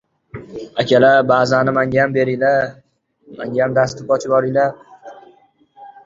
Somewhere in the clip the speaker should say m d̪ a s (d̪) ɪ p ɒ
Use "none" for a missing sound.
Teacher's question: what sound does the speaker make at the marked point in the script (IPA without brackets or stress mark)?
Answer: t̪